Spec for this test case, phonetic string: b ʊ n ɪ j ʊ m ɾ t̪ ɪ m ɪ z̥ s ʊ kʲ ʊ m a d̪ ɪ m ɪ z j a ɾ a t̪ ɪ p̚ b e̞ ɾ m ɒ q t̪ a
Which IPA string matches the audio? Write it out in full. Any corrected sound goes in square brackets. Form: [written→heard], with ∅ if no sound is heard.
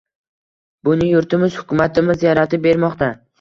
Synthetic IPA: b ʊ n ɪ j ʊ [m→∅] ɾ t̪ ɪ m ɪ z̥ [s→h] ʊ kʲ ʊ m a [d̪→t̪] ɪ m ɪ z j a ɾ a t̪ ɪ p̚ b e̞ ɾ m ɒ q t̪ a